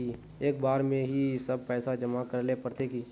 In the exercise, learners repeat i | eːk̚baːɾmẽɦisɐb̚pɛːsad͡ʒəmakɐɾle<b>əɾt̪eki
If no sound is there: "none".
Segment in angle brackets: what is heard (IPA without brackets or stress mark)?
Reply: p